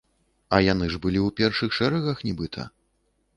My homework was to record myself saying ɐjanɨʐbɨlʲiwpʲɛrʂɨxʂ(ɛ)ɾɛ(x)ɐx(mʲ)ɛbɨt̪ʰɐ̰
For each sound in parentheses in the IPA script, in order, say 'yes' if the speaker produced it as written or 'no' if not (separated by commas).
yes, no, no